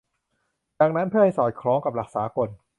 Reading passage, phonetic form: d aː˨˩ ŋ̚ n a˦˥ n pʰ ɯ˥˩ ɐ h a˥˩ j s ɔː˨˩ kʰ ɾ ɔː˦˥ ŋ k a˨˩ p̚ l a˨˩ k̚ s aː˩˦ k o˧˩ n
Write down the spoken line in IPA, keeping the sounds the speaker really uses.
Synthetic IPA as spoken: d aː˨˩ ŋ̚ n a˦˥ n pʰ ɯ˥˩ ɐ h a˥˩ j s ɔː˨˩ kʰ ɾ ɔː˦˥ ŋ k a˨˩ p̚ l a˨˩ k̚ s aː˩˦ k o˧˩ n